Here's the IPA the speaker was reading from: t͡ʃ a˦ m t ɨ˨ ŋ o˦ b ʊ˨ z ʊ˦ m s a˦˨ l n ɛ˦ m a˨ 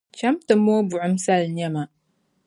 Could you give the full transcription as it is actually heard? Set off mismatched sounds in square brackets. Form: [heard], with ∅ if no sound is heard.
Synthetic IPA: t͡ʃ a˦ m t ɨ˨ [m] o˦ b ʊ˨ [ʕ] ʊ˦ m s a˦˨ l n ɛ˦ m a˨